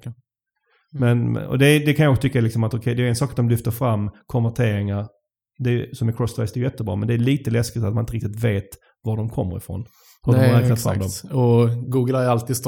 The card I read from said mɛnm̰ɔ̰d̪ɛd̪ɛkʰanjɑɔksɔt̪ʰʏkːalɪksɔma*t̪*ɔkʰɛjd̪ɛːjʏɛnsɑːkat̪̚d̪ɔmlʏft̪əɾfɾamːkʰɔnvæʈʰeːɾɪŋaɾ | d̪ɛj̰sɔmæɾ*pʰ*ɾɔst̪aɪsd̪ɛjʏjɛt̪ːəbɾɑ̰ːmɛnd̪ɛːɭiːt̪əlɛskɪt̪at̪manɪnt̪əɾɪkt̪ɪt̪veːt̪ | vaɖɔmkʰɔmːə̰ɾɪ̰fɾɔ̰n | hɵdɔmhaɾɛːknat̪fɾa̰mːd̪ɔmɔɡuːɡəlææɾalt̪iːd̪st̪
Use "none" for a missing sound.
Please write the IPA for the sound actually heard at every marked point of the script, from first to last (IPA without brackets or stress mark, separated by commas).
t̪, kʰ